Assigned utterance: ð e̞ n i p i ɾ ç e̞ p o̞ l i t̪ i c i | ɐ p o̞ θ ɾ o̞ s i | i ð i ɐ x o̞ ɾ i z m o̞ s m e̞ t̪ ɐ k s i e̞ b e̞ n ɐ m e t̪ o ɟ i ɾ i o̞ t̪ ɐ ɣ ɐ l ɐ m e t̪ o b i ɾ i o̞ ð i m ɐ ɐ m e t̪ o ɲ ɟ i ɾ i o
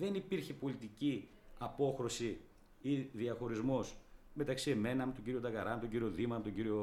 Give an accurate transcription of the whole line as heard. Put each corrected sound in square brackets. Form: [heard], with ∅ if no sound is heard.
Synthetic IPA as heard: ð e̞ n i p i ɾ ç e̞ p o̞ l i t̪ i c i | ɐ p o̞ [x] ɾ o̞ s i | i ð i ɐ x o̞ ɾ i z m o̞ s m e̞ t̪ ɐ k s i e̞ [m] e̞ n ɐ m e t̪ o ɟ i ɾ i o̞ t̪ ɐ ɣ ɐ [ɾ] ɐ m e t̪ o [ɟ] i ɾ i o̞ ð i m ɐ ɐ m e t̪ o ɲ ɟ i ɾ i o